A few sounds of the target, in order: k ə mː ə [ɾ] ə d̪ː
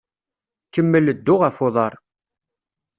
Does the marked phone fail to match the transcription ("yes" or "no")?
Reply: yes